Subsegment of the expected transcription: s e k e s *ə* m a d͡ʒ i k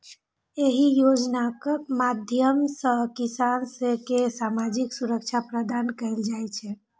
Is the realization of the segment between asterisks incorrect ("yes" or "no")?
yes